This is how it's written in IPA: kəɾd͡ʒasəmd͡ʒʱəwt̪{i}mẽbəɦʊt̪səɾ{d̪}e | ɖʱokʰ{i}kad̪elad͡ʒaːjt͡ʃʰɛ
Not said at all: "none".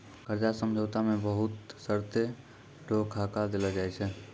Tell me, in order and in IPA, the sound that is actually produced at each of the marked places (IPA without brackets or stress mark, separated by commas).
a, t̪, a